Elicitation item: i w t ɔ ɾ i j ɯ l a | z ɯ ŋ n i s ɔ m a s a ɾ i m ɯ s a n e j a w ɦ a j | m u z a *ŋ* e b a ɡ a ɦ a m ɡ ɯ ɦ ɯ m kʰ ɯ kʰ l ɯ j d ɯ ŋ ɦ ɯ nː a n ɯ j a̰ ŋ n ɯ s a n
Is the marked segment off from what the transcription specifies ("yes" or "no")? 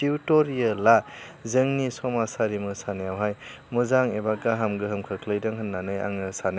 no